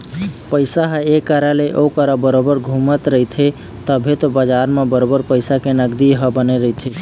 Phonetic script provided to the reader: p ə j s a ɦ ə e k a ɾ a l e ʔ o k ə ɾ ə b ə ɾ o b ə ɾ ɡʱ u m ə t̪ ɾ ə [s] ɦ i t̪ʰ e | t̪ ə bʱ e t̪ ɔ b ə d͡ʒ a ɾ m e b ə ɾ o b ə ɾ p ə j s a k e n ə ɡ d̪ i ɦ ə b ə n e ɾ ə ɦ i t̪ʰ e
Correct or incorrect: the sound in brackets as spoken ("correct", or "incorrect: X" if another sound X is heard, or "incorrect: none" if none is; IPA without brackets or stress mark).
incorrect: none